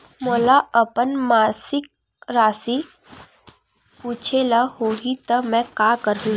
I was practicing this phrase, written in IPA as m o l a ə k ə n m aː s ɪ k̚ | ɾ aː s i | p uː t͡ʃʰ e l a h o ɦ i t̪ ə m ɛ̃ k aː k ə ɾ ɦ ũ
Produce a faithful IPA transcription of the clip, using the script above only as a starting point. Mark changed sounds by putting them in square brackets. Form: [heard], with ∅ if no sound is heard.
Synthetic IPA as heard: m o l a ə [p] ə n m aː s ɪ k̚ | ɾ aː s i | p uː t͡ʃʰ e l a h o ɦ i t̪ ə m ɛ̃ k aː k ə ɾ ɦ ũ